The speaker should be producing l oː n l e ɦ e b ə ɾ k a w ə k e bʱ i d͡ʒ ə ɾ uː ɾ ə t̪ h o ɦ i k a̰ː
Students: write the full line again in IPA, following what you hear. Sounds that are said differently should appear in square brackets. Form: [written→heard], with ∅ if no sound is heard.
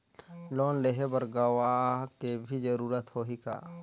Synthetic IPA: l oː n l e ɦ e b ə ɾ [k→ɡ] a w [ə→a] k e bʱ i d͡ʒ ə ɾ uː ɾ ə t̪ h o ɦ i k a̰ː